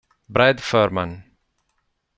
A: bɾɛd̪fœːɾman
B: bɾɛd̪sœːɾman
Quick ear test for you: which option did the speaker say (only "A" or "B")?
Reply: A